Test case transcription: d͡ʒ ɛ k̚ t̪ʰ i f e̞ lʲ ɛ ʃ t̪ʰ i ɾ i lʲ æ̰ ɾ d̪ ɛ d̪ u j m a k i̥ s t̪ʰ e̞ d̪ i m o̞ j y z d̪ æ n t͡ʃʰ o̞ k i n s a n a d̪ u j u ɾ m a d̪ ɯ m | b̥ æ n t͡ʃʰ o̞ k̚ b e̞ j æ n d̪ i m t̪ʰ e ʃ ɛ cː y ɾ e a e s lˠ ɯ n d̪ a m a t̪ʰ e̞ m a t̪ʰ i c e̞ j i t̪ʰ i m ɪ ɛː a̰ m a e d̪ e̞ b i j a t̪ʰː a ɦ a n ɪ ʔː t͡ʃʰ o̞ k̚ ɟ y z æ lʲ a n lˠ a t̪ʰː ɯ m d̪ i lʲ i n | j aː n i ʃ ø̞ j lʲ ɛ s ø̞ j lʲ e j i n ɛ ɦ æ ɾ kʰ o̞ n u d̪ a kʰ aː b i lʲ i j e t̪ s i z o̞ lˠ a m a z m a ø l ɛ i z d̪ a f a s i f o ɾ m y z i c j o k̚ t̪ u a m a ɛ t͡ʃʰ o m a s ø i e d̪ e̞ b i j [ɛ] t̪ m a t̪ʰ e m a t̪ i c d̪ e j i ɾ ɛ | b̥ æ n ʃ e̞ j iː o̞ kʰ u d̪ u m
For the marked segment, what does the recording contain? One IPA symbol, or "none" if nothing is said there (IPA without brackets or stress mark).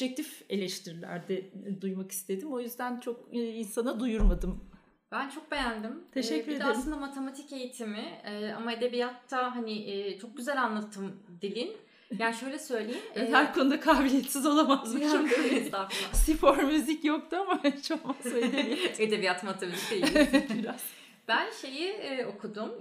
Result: a